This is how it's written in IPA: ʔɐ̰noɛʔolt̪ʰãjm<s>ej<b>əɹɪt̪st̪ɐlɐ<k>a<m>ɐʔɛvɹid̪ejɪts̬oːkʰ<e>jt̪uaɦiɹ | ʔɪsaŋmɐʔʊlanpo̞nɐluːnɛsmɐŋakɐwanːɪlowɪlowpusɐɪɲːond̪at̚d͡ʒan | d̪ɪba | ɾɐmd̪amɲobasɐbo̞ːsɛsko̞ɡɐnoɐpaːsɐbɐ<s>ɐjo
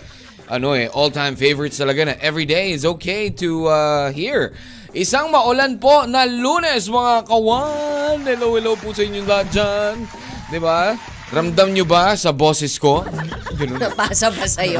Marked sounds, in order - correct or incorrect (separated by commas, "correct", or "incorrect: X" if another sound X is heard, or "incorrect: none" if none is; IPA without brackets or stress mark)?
incorrect: f, incorrect: v, incorrect: ɡ, incorrect: n, correct, correct